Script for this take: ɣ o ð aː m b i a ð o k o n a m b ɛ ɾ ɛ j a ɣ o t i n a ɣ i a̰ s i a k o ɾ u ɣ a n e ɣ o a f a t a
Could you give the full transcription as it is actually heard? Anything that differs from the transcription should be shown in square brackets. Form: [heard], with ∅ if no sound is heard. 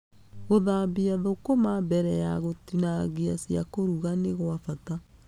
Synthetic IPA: ɣ o ð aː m b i a ð o k o [m] a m b ɛ ɾ ɛ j a ɣ o t i n a ɣ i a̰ s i a k o ɾ u ɣ a n e ɣ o a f a t a